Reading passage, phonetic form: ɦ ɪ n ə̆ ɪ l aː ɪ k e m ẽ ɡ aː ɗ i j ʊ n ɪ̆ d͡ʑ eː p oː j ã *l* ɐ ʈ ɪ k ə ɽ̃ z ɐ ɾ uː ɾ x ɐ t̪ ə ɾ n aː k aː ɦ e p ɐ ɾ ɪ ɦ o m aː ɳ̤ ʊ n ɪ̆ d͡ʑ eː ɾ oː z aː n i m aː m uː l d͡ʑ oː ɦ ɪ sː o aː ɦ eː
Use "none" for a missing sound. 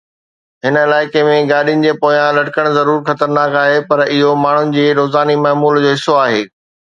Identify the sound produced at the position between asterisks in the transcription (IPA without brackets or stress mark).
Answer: l